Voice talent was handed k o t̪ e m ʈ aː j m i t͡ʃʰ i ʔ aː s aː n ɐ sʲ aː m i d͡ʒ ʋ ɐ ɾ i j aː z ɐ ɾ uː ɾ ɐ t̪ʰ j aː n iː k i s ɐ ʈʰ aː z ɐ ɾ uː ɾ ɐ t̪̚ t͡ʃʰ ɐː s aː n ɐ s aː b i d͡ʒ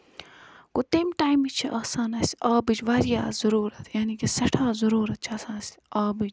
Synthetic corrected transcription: k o t̪ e m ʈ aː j m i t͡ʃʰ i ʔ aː s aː n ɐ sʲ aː b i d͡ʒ ʋ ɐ ɾ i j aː z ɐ ɾ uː ɾ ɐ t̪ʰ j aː n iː k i s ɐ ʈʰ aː z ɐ ɾ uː ɾ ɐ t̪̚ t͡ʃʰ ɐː s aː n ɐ s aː b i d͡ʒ